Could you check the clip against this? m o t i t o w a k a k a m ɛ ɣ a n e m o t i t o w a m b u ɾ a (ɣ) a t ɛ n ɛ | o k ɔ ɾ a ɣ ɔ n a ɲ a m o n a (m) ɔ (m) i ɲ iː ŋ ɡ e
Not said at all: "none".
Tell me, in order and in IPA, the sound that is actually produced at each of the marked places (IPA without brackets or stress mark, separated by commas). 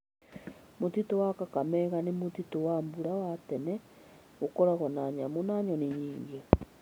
w, ɲ, n